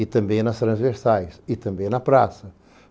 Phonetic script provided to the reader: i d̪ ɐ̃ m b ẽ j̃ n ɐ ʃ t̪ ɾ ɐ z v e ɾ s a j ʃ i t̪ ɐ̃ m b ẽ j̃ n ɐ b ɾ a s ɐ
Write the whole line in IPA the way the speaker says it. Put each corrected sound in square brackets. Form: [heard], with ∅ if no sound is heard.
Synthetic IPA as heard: i [t̪] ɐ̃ m b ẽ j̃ n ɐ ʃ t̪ ɾ [ɐ̃] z v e ɾ s a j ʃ i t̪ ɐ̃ m b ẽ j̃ n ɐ [p] ɾ a s ɐ

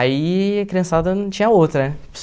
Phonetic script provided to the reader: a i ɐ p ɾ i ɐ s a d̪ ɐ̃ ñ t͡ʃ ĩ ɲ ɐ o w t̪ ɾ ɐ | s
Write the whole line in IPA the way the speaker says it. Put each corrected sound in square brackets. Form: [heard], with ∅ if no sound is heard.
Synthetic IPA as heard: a i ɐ [k] ɾ i [ɐ̃] s a d̪ [ɐ] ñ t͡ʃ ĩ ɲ ɐ o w t̪ ɾ ɐ | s

